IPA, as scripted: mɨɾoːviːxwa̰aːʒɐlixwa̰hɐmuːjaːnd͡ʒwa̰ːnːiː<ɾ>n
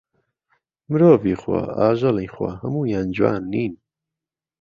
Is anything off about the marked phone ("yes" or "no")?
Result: yes